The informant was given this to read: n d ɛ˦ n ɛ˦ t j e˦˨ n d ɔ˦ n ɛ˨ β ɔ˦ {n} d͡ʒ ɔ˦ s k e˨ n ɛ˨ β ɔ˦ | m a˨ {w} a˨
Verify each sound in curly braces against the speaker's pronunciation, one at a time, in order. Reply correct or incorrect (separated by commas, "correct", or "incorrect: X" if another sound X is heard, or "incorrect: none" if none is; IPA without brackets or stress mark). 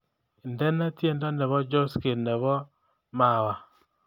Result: incorrect: none, correct